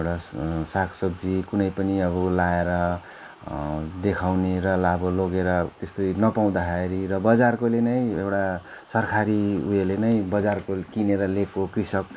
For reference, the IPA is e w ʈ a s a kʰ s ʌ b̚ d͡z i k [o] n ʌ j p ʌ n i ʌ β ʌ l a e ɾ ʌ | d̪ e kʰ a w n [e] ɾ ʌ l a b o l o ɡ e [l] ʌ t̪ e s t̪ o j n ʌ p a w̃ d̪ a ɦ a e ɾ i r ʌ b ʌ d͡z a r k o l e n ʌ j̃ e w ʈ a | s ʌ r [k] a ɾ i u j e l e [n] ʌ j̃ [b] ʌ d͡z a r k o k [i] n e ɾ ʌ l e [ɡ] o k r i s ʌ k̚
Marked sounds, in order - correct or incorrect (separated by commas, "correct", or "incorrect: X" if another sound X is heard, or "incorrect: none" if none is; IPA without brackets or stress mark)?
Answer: incorrect: u, correct, incorrect: ɾ, incorrect: kʰ, correct, correct, correct, incorrect: k